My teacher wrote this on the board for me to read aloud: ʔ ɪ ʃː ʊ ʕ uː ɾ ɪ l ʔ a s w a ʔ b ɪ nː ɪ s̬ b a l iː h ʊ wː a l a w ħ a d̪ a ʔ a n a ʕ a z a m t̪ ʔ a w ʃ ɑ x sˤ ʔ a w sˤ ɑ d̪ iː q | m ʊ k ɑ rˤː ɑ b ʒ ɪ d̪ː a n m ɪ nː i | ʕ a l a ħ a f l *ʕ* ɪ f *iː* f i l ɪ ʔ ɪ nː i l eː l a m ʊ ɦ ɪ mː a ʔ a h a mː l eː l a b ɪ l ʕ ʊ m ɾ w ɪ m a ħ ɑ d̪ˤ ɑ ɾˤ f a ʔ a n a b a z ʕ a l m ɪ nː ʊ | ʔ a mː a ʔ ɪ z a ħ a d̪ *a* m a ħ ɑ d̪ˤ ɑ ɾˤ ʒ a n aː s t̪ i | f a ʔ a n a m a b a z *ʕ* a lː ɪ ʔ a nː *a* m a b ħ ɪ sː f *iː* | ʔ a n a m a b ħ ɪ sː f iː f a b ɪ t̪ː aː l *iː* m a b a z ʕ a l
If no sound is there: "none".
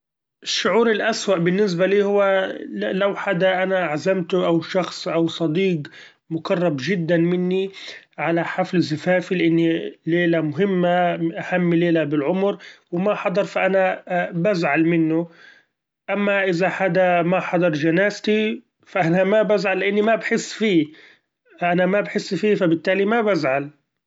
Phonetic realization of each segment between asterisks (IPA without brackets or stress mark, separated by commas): z, aː, a, ʕ, i, iː, i